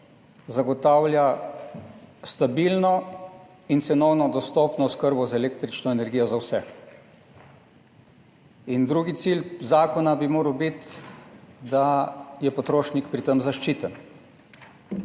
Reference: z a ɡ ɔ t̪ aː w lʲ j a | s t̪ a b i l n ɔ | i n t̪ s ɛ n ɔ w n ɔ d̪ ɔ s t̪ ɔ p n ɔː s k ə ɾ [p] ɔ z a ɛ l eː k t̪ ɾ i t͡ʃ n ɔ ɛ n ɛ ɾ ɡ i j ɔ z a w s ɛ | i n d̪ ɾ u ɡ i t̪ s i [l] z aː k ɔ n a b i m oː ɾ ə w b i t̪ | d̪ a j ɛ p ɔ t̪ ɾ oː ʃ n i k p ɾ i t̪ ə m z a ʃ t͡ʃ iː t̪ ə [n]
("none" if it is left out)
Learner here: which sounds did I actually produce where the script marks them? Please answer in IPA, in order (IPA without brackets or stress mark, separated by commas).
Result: b, l, n